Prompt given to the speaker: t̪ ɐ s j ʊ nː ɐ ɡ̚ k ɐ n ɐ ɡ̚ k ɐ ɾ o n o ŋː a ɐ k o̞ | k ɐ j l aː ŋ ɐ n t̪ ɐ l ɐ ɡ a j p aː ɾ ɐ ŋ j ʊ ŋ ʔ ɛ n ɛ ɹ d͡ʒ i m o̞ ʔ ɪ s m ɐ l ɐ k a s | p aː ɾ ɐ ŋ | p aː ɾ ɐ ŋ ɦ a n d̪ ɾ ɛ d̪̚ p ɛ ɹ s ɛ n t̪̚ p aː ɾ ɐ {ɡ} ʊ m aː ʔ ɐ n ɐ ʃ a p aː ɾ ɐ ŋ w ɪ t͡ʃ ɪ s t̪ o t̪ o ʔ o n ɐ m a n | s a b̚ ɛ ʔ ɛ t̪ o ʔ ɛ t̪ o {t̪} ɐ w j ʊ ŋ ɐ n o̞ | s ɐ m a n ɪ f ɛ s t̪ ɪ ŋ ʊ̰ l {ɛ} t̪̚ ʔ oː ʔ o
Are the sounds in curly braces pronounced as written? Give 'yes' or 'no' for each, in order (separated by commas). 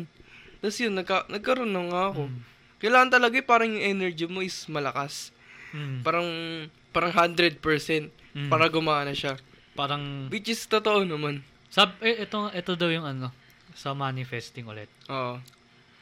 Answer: yes, no, yes